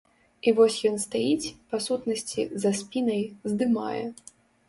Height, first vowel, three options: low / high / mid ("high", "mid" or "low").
high